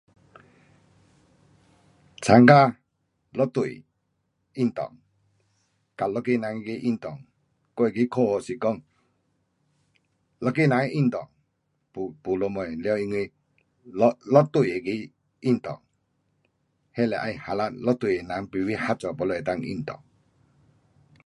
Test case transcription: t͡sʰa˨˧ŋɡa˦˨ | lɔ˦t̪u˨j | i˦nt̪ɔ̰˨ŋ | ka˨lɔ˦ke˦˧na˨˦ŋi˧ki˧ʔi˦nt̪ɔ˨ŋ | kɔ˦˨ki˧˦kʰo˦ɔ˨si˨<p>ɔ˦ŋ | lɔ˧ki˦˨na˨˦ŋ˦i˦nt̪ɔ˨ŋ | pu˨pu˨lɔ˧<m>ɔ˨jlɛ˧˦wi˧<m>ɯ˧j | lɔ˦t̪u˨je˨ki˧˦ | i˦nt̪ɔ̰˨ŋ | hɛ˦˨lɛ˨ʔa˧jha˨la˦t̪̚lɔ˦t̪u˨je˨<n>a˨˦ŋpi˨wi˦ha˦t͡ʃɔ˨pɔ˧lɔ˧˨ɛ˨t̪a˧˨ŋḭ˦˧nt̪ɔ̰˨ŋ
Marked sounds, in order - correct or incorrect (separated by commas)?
incorrect, correct, incorrect, correct